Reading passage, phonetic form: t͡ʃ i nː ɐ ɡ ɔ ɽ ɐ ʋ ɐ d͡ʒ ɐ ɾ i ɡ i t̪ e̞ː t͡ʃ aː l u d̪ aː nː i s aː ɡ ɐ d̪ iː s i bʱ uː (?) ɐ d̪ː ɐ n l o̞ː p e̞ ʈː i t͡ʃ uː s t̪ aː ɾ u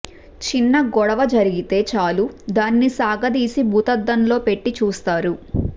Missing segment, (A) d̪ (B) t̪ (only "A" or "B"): B